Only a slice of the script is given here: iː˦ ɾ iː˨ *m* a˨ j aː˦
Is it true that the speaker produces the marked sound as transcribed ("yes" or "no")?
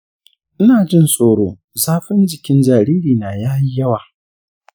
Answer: no